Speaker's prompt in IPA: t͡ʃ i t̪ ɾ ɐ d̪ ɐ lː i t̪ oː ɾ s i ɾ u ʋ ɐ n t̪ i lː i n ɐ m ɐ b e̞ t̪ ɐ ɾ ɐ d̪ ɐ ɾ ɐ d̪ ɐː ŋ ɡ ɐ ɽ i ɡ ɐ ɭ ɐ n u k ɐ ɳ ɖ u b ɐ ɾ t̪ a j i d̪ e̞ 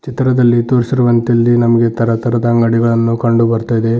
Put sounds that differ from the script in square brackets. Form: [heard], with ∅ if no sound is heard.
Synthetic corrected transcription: t͡ʃ i t̪ ɾ ɐ d̪ ɐ lː i t̪ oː ɾ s i ɾ u ʋ ɐ n t̪ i lː i n ɐ m ɐ [ɡ] e̞ t̪ ɐ ɾ ɐ [t̪] ɐ ɾ ɐ d̪ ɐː ŋ ɡ ɐ ɽ i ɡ ɐ ɭ ɐ [nː] u k ɐ ɳ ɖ u b ɐ ɾ t̪ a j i d̪ e̞

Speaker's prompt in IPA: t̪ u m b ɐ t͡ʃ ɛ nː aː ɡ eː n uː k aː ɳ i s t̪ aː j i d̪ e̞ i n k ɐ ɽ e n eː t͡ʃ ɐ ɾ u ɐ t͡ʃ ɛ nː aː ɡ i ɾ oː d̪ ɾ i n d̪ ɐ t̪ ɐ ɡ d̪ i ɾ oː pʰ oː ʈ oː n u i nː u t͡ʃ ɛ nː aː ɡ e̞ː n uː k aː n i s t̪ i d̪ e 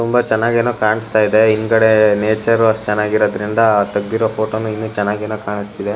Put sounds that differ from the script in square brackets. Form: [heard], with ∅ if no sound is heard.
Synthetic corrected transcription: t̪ u m b ɐ t͡ʃ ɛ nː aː ɡ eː n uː k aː ɳ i s t̪ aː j i d̪ e̞ i n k ɐ ɽ e n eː t͡ʃ ɐ ɾ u ɐ t͡ʃ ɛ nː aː ɡ i ɾ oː d̪ ɾ i n d̪ ɐ t̪ ɐ ɡ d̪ i ɾ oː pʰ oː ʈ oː n u i nː u t͡ʃ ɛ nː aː ɡ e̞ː n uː k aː [ɳ] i s t̪ i d̪ e

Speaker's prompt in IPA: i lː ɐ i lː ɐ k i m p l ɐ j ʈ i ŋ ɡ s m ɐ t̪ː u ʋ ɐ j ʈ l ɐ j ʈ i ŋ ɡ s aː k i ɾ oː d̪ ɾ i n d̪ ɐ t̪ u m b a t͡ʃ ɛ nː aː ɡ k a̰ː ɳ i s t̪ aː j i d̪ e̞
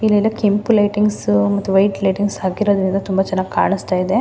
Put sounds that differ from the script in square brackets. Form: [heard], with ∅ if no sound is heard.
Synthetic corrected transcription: i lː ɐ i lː ɐ k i m p l ɐ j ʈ i ŋ ɡ s m ɐ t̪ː u ʋ ɐ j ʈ l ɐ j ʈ i ŋ ɡ s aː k i ɾ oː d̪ ɾ i n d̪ ɐ t̪ u m b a t͡ʃ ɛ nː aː ɡ k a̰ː ɳ i s t̪ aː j i d̪ e̞

